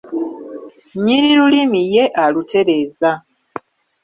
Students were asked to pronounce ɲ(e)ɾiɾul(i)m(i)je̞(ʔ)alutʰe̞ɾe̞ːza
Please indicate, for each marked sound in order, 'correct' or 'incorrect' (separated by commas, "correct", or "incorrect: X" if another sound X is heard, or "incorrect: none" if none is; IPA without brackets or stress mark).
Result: incorrect: i, correct, correct, correct